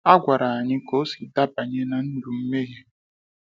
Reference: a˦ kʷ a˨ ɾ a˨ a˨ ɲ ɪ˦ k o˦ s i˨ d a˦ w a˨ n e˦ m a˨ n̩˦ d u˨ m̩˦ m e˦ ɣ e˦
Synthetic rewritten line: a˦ ɡʷ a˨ ɾ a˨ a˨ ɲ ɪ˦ k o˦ s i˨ d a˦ b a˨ ɲ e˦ n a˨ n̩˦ d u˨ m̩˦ m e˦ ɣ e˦

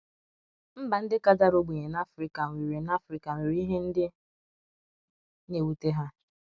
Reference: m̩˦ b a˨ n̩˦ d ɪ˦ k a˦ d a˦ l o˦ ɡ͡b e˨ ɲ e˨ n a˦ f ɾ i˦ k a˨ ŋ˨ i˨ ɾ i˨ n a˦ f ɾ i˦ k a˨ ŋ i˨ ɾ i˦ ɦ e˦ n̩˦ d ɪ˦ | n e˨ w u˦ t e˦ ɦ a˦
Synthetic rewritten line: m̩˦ b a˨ n̩˦ d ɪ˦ k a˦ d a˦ ɾ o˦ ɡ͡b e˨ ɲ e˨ n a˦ f ɾ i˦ k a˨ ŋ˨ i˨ ɾ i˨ n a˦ f ɾ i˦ k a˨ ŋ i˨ ɾ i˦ ɦ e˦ n̩˦ d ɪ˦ | n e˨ w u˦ t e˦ ɦ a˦

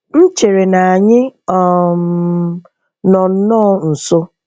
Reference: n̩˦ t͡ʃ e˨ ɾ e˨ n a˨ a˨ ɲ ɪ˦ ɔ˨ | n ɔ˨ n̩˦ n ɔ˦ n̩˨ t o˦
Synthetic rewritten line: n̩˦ t͡ʃ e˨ ɾ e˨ n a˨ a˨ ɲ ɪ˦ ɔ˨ | n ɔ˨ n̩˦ n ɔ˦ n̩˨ s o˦

